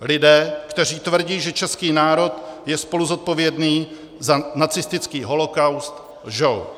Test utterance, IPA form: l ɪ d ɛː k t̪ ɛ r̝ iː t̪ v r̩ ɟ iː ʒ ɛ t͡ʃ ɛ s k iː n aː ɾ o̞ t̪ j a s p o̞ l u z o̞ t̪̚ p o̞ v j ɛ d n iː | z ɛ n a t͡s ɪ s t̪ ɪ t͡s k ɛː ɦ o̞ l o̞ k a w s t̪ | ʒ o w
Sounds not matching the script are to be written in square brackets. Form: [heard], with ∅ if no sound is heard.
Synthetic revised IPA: l ɪ d ɛː k t̪ ɛ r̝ iː t̪ v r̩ ɟ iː ʒ ɛ t͡ʃ ɛ s k iː n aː ɾ o̞ t̪ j [ɛ] s p o̞ l u z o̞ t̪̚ p o̞ v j ɛ d n iː | z [a] n a t͡s ɪ s t̪ ɪ t͡s k [iː] ɦ o̞ l o̞ k a w s t̪ | ʒ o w

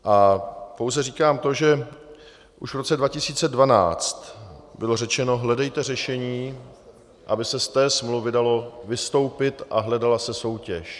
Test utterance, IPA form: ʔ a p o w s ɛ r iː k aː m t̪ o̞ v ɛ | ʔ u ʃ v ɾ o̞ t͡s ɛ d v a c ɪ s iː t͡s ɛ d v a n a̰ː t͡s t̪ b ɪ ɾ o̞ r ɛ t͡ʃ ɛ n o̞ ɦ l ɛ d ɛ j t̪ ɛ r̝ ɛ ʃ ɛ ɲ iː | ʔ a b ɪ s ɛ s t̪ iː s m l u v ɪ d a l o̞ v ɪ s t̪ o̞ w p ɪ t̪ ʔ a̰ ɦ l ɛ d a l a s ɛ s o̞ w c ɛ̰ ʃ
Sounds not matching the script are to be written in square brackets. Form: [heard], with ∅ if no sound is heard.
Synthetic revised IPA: ʔ a p o w [z] ɛ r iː k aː m t̪ o̞ [ʒ] ɛ | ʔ u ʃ v ɾ o̞ t͡s ɛ d v a c ɪ s iː t͡s ɛ d v a n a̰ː t͡s t̪ b ɪ [l] o̞ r ɛ t͡ʃ ɛ n o̞ ɦ l ɛ d ɛ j t̪ ɛ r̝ ɛ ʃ ɛ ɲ iː | ʔ a b ɪ s ɛ s t̪ [ɛː] s m l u v ɪ d a l o̞ v ɪ s t̪ o̞ w p ɪ t̪ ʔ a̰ ɦ l ɛ d a l a s ɛ s o̞ w c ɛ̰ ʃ

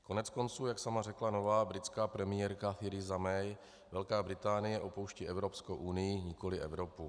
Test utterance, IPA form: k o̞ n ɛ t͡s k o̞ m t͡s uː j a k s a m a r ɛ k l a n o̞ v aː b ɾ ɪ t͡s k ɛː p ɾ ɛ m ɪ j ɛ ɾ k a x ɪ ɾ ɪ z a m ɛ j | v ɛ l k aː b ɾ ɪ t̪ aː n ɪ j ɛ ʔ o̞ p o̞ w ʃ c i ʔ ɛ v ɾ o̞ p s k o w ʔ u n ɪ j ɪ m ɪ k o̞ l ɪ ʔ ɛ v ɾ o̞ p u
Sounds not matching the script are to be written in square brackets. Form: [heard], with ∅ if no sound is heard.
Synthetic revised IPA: k o̞ n ɛ t͡s k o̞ [n] t͡s uː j a k s a m a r ɛ k l a n o̞ v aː b ɾ ɪ t͡s k [aː] p ɾ ɛ m ɪ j ɛ ɾ k a [θ] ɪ ɾ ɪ z a m ɛ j | v ɛ l k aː b ɾ ɪ t̪ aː n ɪ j ɛ ʔ o̞ p o̞ w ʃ c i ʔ ɛ v ɾ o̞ p s k o w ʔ u n ɪ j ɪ [ɲ] ɪ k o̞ l ɪ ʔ ɛ v ɾ o̞ p u

